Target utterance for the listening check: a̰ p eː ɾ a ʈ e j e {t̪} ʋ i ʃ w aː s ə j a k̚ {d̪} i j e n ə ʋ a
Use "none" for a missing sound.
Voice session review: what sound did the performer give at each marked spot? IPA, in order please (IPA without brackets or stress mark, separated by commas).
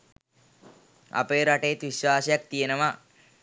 t̪, t̪